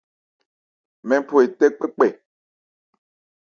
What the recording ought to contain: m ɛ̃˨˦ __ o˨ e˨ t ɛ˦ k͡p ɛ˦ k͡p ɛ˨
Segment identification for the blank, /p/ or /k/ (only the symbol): p